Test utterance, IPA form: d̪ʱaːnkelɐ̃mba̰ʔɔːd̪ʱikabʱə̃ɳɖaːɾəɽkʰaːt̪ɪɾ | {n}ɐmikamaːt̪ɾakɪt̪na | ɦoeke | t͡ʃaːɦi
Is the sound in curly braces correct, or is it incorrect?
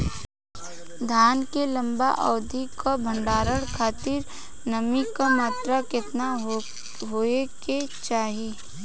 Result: correct